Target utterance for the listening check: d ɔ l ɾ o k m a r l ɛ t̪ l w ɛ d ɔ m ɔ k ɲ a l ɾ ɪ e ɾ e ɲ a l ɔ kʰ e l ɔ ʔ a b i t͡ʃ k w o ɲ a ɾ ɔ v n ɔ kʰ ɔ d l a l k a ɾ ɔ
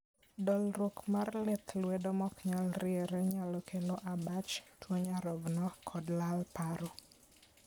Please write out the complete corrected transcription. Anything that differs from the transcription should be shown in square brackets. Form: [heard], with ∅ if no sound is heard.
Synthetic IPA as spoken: d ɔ l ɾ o k m a r l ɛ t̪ l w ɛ d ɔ m ɔ k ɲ a l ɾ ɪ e ɾ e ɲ a l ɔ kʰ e l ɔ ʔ a b [a] t͡ʃ [t] w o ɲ a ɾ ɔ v n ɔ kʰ ɔ d l a l [p] a ɾ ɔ